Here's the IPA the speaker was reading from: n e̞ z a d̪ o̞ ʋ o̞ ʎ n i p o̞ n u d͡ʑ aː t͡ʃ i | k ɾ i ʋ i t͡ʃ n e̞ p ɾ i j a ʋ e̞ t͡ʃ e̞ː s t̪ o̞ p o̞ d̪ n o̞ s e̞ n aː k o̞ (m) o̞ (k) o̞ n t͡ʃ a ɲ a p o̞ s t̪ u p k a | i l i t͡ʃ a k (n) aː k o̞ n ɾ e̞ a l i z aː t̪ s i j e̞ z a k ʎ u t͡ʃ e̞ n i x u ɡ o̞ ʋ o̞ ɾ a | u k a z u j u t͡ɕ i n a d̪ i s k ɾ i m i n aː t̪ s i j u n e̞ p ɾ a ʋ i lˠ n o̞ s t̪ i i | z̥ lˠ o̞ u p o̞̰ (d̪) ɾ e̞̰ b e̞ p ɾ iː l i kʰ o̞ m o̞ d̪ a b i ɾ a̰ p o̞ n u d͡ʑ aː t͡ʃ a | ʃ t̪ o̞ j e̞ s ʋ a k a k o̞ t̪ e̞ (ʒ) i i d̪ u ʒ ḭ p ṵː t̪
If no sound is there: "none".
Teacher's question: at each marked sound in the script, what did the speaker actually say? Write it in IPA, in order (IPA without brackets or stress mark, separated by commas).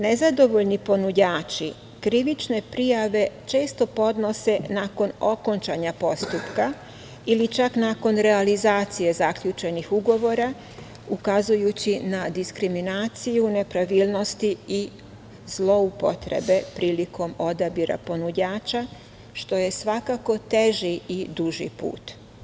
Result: n, k, n, t̪, ʒ